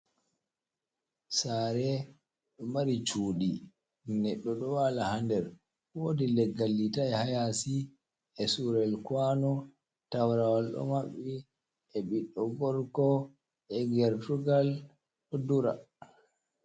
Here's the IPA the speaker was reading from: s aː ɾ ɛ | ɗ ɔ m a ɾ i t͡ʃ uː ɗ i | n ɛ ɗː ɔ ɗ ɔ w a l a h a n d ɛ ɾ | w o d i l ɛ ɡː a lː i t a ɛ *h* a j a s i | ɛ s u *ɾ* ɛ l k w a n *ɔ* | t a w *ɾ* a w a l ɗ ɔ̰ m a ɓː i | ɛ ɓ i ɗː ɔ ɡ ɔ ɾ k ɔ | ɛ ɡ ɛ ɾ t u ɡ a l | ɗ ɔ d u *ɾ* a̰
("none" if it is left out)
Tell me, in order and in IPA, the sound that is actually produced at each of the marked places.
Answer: h, ɾ, ɔ, ɾ, ɾ

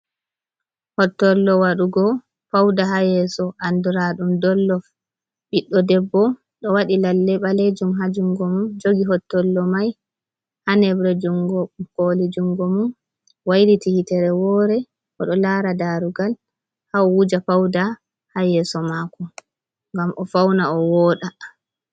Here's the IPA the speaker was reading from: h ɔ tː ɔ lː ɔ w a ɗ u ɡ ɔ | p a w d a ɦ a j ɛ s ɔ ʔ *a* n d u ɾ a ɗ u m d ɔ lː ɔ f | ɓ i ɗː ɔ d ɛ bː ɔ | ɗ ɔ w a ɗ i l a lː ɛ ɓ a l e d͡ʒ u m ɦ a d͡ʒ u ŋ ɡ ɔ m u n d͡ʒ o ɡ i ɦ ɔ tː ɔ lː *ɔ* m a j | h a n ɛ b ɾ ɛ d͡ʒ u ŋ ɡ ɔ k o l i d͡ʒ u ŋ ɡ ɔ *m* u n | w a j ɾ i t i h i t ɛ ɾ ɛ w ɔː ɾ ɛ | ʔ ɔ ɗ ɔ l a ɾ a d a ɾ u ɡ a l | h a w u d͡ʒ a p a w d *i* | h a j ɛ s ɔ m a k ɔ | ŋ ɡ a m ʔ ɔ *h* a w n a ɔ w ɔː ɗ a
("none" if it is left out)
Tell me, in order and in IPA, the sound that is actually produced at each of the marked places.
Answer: a, ɔ, m, a, f

